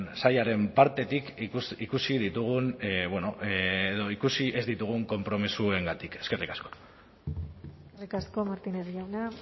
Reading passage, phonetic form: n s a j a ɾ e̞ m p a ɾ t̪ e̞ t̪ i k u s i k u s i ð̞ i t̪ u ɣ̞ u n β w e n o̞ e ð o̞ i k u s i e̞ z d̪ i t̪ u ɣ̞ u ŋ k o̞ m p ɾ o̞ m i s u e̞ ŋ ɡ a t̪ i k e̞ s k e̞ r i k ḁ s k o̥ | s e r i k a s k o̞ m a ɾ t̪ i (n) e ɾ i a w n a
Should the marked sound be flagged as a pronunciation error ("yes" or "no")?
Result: no